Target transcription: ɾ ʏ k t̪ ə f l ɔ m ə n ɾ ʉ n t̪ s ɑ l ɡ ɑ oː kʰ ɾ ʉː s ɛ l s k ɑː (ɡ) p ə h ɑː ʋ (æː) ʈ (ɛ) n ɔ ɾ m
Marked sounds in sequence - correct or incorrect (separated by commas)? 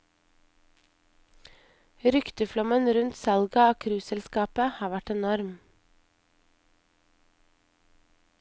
incorrect, incorrect, correct